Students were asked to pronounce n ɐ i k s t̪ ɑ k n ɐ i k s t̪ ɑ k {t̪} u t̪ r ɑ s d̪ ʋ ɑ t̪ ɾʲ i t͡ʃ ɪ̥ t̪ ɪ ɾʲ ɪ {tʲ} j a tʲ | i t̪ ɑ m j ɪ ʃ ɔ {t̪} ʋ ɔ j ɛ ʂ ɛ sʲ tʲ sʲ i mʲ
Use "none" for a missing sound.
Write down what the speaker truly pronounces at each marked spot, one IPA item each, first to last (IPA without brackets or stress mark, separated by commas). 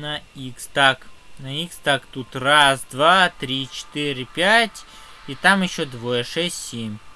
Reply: t̪, pʲ, d̪